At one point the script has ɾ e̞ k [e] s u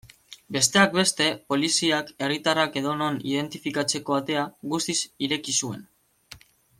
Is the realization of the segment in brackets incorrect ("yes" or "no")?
yes